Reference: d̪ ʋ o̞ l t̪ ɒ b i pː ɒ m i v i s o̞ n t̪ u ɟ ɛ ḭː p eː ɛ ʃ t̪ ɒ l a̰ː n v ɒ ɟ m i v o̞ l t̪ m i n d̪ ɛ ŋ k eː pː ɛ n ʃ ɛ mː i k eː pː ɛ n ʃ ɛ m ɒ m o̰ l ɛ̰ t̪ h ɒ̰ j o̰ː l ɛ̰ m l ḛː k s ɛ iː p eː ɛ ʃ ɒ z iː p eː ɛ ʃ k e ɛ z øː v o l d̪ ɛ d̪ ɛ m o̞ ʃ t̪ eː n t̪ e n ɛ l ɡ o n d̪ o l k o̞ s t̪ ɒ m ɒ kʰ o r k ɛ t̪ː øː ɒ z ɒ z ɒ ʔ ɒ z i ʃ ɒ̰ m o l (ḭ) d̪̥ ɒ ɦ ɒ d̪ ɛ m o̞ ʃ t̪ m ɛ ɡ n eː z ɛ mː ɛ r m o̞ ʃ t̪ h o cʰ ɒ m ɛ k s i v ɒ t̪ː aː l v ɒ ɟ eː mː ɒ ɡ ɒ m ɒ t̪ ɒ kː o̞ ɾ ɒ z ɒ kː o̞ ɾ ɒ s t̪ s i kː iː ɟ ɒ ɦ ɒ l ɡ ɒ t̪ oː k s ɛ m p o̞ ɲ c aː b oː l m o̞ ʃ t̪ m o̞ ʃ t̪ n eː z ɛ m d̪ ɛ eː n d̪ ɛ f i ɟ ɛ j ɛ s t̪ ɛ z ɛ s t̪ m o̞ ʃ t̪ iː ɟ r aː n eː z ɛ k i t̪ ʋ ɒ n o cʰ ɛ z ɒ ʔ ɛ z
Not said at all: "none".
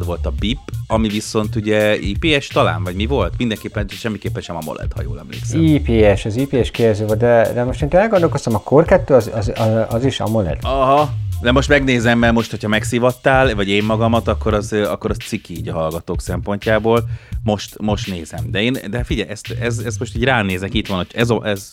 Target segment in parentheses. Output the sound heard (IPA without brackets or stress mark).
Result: ɛ̰